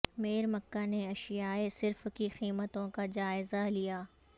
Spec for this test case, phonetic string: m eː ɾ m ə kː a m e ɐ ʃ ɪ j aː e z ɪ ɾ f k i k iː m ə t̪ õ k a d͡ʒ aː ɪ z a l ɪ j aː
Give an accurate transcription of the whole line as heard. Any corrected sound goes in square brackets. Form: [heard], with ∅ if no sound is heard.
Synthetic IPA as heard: m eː ɾ m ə kː a [n] e ɐ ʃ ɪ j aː e [s] ɪ ɾ f k i [x] iː m ə t̪ õ k a d͡ʒ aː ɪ z a l [i] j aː

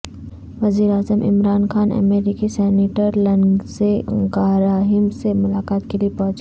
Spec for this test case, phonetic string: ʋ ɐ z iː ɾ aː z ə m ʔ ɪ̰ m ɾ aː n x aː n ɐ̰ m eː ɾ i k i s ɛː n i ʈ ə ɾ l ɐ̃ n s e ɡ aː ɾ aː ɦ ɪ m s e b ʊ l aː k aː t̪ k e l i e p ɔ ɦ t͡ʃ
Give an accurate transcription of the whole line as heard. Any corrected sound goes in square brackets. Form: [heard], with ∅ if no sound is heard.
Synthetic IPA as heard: ʋ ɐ z iː ɾ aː z ə m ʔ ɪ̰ m ɾ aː n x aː n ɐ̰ m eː ɾ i k i s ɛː n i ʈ ə ɾ l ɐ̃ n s e ɡ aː ɾ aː ɦ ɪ m s e [m] ʊ l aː k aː t̪ k e l i e p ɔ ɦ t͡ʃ

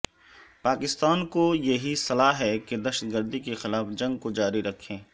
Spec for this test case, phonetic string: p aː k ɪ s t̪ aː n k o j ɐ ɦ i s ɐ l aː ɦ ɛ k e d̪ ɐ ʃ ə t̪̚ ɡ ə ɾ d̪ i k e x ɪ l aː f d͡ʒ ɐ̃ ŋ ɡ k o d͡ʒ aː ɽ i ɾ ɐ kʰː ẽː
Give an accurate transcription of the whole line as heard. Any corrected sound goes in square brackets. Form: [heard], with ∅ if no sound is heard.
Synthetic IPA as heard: p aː k ɪ s t̪ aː n k o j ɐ ɦ i s ɐ l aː ɦ ɛ k e d̪ ɐ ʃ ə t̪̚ ɡ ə ɾ d̪ i k e x ɪ l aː f d͡ʒ ɐ̃ ŋ ɡ k o d͡ʒ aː [ɾ] i ɾ ɐ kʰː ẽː

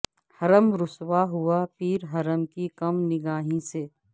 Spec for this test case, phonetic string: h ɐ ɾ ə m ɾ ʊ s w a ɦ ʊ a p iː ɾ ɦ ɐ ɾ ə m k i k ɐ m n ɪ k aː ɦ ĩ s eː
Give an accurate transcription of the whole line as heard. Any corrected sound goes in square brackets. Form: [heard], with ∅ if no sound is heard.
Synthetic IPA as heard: h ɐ ɾ ə m ɾ ʊ s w a ɦ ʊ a p iː ɾ ɦ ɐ ɾ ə m k i k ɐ m n ɪ [ɡ] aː ɦ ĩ s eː

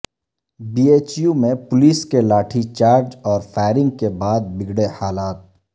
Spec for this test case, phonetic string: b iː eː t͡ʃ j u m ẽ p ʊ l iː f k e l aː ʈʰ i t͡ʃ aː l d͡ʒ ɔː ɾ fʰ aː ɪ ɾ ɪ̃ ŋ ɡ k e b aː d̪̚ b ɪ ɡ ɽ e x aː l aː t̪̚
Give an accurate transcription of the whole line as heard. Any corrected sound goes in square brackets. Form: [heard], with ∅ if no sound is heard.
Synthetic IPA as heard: b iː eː t͡ʃ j u m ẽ p ʊ l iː [s] k e l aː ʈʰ i t͡ʃ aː [ɾ] d͡ʒ ɔː ɾ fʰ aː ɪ ɾ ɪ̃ ŋ ɡ k e b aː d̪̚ b ɪ ɡ ɽ e [h] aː l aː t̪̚

